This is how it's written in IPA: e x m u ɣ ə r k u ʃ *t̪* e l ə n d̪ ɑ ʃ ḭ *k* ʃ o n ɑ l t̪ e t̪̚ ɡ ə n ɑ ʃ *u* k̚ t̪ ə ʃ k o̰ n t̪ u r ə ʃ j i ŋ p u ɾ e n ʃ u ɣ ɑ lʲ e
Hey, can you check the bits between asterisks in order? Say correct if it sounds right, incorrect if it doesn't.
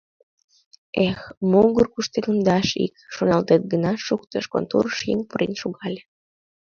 correct, correct, correct

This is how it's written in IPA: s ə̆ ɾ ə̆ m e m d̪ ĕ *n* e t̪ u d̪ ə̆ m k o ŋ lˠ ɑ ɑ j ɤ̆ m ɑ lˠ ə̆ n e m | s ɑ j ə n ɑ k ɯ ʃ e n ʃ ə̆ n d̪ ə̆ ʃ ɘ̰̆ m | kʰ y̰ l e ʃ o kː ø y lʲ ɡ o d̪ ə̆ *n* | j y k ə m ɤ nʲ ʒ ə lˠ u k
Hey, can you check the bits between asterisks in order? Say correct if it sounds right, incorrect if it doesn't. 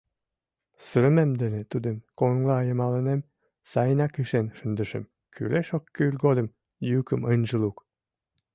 correct, incorrect: m

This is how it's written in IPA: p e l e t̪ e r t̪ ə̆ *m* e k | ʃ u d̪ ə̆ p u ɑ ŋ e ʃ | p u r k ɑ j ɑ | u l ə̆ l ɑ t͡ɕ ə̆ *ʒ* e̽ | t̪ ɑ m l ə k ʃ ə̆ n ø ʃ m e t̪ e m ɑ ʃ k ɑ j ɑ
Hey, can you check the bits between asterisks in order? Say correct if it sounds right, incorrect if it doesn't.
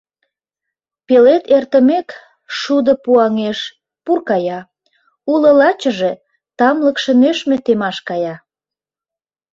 correct, correct

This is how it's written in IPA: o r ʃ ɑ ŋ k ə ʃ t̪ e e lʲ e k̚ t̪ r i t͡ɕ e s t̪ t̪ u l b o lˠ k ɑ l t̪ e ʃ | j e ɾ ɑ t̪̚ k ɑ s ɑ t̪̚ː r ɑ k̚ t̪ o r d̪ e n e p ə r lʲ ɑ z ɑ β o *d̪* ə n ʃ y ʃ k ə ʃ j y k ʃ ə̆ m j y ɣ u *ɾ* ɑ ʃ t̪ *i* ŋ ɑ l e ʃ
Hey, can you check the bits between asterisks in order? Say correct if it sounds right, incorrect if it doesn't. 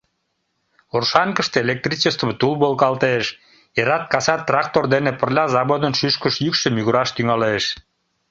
correct, correct, incorrect: y

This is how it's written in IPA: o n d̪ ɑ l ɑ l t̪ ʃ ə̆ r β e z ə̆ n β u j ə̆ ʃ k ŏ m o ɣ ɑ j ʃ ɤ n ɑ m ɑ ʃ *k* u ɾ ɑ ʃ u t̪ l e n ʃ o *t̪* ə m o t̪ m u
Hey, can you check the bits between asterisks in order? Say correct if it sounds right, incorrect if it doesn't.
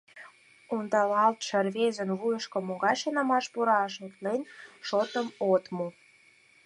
incorrect: p, correct

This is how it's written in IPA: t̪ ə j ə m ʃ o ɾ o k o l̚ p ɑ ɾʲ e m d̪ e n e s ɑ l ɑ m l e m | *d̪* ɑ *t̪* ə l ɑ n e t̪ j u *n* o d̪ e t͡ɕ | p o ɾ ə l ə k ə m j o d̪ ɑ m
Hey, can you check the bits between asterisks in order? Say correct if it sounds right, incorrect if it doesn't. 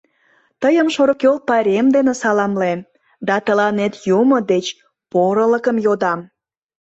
correct, correct, incorrect: m

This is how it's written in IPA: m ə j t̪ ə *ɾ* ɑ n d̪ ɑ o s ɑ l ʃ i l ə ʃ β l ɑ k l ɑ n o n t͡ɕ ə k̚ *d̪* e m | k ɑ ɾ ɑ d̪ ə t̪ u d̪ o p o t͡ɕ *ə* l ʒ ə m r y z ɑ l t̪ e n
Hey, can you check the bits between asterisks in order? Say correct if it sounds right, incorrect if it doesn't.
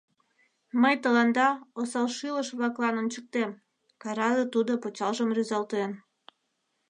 incorrect: l, incorrect: t̪, incorrect: ɑ

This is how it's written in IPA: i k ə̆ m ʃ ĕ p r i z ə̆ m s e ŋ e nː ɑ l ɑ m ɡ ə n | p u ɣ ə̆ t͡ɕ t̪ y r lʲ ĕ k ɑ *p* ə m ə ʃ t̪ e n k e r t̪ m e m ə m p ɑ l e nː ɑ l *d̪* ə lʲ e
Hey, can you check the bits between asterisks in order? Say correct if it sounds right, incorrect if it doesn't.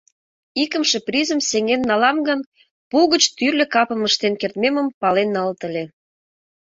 correct, incorrect: t̪

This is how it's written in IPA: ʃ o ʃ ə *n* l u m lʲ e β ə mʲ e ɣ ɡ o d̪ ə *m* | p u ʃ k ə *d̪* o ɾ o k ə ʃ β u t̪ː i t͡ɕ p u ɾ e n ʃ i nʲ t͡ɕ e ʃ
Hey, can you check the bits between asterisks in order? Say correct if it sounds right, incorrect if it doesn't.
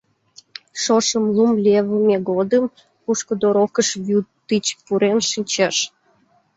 incorrect: m, correct, correct

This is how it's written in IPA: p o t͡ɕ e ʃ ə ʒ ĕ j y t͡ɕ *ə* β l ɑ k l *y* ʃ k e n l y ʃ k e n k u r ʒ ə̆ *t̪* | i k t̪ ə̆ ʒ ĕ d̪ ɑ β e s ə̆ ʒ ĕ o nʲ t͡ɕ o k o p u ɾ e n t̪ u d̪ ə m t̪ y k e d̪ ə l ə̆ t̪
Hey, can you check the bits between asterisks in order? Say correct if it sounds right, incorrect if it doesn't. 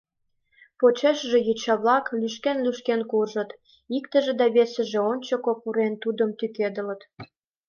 incorrect: ɑ, correct, correct

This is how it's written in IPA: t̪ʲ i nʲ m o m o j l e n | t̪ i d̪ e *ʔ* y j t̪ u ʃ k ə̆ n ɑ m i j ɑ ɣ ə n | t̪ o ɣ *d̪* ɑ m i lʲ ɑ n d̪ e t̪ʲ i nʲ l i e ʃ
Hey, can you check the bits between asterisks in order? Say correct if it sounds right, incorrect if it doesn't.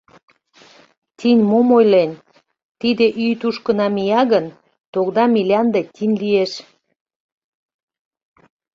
correct, correct

